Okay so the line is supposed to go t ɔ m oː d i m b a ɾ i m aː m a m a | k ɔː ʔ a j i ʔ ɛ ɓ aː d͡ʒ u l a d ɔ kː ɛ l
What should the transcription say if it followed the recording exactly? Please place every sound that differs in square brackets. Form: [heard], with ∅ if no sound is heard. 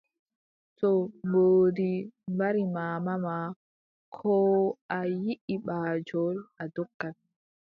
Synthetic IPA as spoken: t ɔ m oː d i m b a ɾ i m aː m a m a | [kʰ] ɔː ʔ a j i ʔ [i] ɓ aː d͡ʒ [ɔ] l a d ɔ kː [a] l